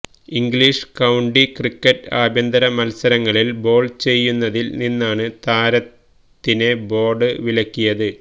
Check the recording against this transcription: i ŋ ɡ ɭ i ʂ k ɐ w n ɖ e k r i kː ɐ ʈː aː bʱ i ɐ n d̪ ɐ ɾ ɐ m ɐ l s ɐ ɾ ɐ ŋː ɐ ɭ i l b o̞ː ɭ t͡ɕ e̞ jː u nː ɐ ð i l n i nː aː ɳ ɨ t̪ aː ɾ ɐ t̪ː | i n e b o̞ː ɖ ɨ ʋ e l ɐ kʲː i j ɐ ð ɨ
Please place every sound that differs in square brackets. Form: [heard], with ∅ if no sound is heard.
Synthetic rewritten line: i ŋ ɡ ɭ i ʂ k ɐ w [ɳ] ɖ [i] k r i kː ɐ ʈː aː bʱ [j] ɐ n d̪ ɐ ɾ ɐ m ɐ l s ɐ ɾ ɐ ŋː ɐ ɭ i l b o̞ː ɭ t͡ɕ e̞ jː u nː ɐ ð i l n i nː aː ɳ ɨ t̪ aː ɾ ɐ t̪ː | i n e b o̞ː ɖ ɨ ʋ [i] l ɐ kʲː i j ɐ ð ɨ